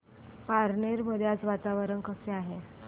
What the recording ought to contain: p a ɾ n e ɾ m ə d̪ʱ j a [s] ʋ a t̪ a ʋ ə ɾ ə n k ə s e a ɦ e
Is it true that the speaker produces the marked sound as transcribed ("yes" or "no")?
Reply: no